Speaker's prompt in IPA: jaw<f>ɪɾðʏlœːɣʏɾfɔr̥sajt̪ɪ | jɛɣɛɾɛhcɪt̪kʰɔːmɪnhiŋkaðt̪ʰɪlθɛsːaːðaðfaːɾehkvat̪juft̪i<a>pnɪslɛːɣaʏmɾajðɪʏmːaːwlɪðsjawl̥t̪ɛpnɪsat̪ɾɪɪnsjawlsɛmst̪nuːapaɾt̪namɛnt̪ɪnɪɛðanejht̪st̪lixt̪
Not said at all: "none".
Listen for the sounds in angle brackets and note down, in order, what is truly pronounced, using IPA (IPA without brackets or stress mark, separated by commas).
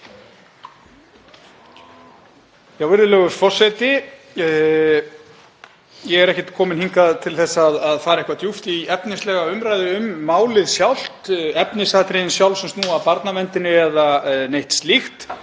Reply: v, ɛ